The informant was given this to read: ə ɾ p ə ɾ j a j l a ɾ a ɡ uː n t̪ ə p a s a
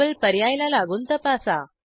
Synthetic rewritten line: ə l p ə ɾ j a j l a l a ɡ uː n t̪ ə p a s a